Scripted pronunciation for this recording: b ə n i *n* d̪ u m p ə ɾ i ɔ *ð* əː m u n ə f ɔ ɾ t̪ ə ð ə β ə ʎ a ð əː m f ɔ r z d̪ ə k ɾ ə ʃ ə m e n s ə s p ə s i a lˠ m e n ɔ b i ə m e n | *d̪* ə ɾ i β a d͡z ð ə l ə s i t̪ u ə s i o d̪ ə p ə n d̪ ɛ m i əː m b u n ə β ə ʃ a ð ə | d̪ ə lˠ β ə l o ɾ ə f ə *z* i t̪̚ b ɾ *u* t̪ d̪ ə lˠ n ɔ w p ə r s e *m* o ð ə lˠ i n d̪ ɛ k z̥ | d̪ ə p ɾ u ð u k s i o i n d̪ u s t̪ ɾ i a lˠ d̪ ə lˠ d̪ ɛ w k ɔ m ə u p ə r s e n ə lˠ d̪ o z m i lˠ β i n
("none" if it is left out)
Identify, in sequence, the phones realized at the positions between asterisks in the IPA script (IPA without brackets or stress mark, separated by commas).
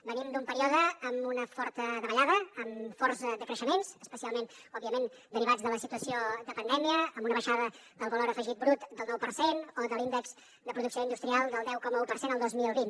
m, ð, d̪, ʒ, u, n